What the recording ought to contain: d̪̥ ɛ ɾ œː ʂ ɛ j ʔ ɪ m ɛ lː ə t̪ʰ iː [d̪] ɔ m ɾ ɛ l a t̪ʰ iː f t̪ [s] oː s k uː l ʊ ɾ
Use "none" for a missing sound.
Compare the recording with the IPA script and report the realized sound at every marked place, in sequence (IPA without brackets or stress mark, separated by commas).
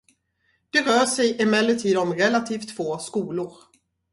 d̪, f